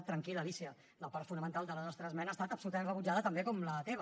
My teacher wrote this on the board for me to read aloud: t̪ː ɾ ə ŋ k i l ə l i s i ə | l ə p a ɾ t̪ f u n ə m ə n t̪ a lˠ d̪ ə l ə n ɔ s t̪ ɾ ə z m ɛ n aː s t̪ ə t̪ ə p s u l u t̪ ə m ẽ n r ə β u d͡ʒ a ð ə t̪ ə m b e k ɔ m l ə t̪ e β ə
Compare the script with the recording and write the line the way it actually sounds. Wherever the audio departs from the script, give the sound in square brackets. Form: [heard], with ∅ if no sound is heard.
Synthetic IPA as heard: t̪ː ɾ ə ŋ k i l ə l i s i ə | l ə p a ɾ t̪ f u n ə m ə n t̪ a lˠ d̪ ə l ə n ɔ s t̪ ɾ ə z m ɛ n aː s t̪ [a] t̪ ə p s u l u t̪ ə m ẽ n r ə β u d͡ʒ a ð ə t̪ ə m b e k ɔ m l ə t̪ e β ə